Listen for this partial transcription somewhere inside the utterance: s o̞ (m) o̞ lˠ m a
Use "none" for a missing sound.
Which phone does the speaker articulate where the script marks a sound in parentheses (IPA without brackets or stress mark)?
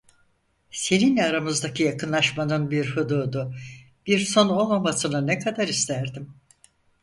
n